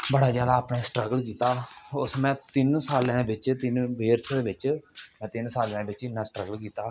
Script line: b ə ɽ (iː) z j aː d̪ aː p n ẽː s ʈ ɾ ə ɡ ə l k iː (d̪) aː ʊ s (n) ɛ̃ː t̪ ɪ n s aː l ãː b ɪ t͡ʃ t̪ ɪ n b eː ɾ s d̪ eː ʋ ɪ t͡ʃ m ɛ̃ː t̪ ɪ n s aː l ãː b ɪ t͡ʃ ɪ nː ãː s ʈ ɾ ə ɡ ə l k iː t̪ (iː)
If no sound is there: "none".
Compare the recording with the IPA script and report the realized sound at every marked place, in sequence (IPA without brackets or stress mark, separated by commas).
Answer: aː, t̪, m, aː